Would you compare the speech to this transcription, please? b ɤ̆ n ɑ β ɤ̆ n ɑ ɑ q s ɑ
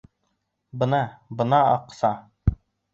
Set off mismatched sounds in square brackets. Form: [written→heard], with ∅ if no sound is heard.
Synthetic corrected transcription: b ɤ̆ n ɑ [β→b] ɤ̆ n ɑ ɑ q s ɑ

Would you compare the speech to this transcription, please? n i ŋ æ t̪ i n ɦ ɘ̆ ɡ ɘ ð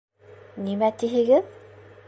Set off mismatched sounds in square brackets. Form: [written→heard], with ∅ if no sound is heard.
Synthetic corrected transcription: n i [ŋ→m] æ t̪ i [n→∅] ɦ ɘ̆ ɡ ɘ ð

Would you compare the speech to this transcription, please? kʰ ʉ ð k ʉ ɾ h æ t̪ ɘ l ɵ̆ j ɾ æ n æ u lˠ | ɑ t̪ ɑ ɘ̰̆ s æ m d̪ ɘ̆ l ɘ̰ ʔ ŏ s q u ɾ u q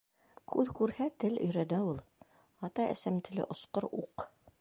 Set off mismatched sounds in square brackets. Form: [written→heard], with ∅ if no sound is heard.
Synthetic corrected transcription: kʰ ʉ ð k ʉ ɾ h æ t̪ ɘ l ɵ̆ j ɾ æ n æ u lˠ | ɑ t̪ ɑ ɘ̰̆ s æ m [d̪→t̪] ɘ̆ l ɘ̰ ʔ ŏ s q [u→o] ɾ u q

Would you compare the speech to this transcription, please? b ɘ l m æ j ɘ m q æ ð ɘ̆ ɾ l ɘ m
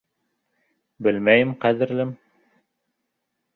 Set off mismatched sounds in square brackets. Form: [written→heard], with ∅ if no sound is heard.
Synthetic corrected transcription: b ɘ l m æ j ɘ m q æ ð ɘ̆ ɾ l ɘ m

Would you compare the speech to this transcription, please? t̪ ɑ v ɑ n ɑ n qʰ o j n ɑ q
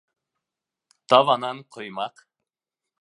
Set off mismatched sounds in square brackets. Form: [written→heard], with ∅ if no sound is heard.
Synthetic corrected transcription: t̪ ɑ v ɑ n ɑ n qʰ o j [n→m] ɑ q

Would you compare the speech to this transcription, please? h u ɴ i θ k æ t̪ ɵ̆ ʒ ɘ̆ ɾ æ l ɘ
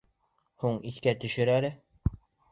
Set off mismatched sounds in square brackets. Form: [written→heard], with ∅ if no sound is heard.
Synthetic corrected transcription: h u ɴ i θ k æ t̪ ɵ̆ [ʒ→ʃ] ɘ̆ ɾ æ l ɘ

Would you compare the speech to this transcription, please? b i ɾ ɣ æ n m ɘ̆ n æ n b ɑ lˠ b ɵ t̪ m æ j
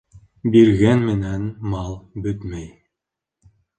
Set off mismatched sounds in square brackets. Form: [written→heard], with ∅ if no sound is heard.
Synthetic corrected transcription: b i ɾ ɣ æ n m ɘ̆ n æ n [b→m] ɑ lˠ b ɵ t̪ m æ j

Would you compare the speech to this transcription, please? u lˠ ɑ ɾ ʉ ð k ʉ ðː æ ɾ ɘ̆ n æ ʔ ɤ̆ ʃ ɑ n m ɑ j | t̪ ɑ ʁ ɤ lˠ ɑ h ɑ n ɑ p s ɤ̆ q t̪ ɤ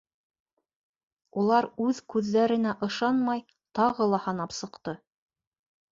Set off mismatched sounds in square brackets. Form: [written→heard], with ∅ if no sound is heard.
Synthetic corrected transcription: u lˠ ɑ ɾ ʉ ð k ʉ ðː æ ɾ ɘ̆ n æ ʔ ɤ̆ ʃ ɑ n m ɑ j | t̪ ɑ ʁ ɤ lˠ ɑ h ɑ n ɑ p s ɤ̆ q t̪ ɤ

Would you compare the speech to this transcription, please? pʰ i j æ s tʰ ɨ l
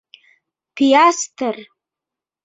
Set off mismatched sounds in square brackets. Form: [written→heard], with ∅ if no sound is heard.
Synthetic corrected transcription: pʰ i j [æ→a] s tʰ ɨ [l→r]

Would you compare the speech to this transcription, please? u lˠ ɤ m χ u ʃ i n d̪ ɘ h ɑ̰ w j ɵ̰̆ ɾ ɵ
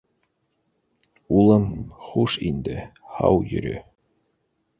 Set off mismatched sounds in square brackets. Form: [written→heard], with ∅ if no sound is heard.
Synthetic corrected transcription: u lˠ ɤ m χ u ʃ i n d̪ ɘ h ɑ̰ w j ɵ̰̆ ɾ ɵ

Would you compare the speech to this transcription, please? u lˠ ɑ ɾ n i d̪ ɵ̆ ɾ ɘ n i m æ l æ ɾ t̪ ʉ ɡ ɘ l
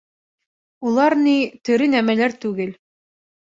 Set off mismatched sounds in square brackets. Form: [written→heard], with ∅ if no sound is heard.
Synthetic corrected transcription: u lˠ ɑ ɾ n i [d̪→t̪] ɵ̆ ɾ ɘ n [i→æ] m æ l æ ɾ t̪ ʉ ɡ ɘ l

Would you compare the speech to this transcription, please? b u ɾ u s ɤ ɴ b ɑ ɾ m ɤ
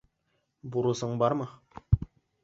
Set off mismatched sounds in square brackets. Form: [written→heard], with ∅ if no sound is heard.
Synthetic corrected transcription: b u ɾ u s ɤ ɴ b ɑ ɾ m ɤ

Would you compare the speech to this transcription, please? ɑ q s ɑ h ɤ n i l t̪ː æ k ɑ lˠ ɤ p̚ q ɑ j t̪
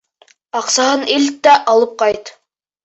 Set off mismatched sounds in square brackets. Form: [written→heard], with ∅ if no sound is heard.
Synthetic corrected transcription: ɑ q s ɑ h ɤ n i l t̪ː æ [k→ʔ] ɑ lˠ ɤ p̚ q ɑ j t̪

